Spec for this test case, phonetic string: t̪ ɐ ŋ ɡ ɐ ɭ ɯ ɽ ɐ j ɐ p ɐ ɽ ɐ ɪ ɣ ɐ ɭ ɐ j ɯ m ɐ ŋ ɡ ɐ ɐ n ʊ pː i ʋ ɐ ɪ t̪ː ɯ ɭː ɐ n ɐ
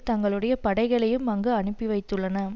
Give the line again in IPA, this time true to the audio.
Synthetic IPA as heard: t̪ ɐ ŋ ɡ ɐ ɭ ɯ ɽ ɐ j ɐ p ɐ ɽ ɐ ɪ ɣ ɐ ɭ ɐ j ɯ m ɐ ŋ ɡ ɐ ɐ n ɯ pː i ʋ ɐ ɪ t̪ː ɯ ɭː ɐ n ɐ